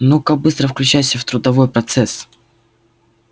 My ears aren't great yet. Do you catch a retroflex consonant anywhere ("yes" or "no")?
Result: no